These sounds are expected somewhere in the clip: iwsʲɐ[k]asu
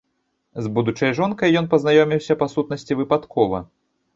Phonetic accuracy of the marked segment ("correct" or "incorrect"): incorrect